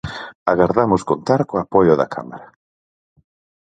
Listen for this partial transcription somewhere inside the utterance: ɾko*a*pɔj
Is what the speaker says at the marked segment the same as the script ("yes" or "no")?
yes